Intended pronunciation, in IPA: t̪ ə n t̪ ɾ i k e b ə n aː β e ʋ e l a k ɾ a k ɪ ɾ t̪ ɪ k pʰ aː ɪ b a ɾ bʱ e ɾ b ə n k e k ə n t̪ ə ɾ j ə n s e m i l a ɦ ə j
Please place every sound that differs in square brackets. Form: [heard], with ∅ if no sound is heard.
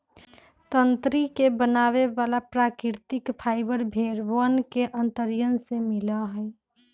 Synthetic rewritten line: t̪ ə n t̪ ɾ i k e b ə n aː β e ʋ [a] l a [p] ɾ a k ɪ ɾ t̪ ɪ k pʰ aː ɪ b [ə] ɾ bʱ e ɾ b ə n k e [ʔ] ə n t̪ ə ɾ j ə n s e m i l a ɦ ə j